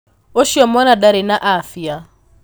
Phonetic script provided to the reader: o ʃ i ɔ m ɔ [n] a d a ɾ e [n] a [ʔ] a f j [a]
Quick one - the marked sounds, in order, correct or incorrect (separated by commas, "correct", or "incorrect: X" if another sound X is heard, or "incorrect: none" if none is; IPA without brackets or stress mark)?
correct, correct, correct, correct